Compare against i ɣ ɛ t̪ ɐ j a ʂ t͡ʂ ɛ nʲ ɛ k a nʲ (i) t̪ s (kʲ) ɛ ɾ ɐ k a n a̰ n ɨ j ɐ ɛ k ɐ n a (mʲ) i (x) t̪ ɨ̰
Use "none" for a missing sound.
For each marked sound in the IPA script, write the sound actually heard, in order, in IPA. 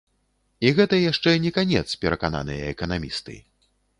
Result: ɛ, pʲ, mʲ, s

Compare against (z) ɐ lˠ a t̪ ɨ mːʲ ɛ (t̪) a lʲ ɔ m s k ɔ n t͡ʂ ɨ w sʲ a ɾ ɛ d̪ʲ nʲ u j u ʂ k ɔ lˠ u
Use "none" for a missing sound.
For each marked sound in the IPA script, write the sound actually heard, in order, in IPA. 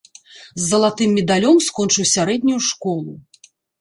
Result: zː, d̪

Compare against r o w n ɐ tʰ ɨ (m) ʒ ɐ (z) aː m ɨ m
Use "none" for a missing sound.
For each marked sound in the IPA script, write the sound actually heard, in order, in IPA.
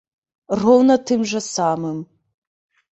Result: m, s

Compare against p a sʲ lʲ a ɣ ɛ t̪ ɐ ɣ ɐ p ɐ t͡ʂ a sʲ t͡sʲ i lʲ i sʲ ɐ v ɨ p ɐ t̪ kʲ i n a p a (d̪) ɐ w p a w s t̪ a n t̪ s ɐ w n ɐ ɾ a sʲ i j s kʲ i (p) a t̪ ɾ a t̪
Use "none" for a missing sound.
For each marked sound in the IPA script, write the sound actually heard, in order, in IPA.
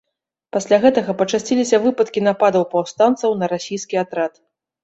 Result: d̪, none

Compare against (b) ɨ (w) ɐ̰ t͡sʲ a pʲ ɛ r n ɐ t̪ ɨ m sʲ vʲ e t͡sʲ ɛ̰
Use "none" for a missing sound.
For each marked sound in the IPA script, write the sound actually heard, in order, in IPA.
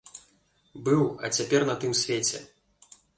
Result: b, w

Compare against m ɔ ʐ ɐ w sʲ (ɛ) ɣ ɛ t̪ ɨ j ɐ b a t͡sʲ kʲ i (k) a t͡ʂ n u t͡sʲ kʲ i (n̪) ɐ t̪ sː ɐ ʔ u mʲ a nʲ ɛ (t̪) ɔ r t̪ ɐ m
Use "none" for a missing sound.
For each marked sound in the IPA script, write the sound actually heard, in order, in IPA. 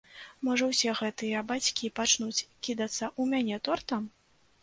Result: ɛ, p, d̪, t̪

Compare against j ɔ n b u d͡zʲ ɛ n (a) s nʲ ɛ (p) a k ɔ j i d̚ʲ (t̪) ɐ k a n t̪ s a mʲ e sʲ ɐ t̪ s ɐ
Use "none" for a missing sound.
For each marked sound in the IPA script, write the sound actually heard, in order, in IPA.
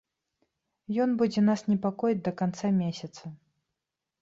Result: a, p, d̪

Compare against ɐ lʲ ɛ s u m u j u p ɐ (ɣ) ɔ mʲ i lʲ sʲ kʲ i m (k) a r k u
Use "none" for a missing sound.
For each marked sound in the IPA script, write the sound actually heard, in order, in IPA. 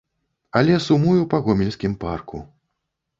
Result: ɣ, p

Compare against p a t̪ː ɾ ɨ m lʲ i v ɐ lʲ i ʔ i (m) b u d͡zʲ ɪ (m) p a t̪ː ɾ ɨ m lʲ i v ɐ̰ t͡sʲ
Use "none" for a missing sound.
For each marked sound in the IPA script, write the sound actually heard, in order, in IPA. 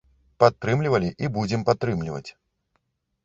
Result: none, m

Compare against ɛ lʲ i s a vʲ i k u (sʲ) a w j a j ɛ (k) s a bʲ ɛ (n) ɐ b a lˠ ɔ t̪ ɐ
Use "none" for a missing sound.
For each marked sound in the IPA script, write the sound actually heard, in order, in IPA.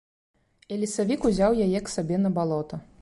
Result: zʲ, k, n

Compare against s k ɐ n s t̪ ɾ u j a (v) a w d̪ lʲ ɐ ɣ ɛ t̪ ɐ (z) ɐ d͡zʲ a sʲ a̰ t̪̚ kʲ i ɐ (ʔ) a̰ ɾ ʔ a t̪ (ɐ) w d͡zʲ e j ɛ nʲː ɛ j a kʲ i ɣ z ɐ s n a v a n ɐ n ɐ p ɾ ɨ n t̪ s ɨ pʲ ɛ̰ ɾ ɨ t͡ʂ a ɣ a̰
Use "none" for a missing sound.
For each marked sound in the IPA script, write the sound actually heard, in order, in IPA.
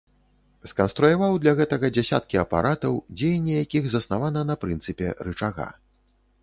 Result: v, ɣ, p, ɐ

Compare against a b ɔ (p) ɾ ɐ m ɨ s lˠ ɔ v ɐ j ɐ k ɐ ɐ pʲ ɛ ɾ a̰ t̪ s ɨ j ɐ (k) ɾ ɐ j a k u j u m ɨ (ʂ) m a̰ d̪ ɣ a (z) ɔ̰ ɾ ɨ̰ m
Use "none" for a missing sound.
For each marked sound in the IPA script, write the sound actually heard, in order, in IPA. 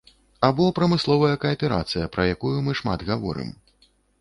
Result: p, p, ʂ, v

